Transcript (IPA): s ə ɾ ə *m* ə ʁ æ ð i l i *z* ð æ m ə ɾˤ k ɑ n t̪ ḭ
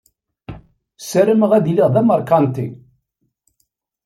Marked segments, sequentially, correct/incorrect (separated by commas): correct, incorrect